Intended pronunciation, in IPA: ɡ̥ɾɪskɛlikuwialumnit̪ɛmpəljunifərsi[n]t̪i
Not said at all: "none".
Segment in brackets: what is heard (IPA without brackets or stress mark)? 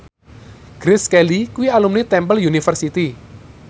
none